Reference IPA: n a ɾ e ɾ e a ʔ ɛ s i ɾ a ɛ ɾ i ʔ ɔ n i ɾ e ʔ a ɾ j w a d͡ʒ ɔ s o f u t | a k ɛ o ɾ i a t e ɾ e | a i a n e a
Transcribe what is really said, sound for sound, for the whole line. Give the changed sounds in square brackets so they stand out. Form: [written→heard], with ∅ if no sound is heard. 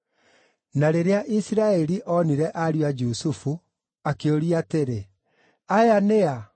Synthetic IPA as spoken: n a ɾ e ɾ e a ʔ [ɛ→i] s i ɾ a ɛ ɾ i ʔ ɔ n i ɾ [e→ɛ] ʔ a ɾ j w a d͡ʒ [ɔ→u] s [o→u] f u [t→∅] | a k [ɛ→e] o ɾ i a t e ɾ e | a [i→j] a n e a